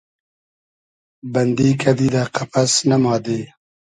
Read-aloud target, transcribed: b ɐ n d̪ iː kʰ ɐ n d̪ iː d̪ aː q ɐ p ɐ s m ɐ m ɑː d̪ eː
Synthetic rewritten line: b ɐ n d̪ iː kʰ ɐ d̪ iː d̪ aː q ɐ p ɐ s n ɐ m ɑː d̪ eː